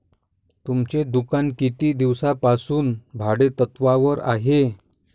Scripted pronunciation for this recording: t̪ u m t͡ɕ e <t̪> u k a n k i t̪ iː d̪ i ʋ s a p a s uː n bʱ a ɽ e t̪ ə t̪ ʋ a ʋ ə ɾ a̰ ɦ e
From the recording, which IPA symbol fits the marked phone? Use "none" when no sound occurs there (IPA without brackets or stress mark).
d̪